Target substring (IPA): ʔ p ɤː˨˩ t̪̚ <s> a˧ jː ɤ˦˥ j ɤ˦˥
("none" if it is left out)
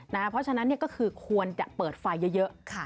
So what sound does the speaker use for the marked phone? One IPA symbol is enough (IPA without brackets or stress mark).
f